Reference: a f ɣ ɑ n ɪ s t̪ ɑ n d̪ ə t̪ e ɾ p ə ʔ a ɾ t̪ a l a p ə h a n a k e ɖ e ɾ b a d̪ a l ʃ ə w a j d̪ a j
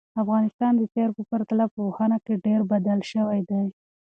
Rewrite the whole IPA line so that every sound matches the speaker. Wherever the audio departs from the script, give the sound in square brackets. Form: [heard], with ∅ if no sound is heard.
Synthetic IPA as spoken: a f ɣ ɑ n ɪ s t̪ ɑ n d̪ ə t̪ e ɾ p ə [p] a ɾ t̪ a l a p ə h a n a k e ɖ e ɾ b a d̪ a l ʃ ə w a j d̪ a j